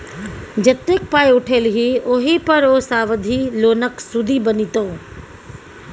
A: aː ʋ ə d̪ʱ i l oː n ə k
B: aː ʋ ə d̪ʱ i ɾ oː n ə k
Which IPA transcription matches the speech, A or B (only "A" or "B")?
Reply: A